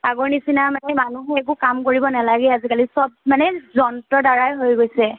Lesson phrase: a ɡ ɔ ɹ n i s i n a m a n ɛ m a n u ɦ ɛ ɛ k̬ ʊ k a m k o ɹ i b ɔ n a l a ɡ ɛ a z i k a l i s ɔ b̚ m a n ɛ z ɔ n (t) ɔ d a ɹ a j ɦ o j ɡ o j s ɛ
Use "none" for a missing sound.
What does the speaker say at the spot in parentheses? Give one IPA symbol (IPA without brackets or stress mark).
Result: t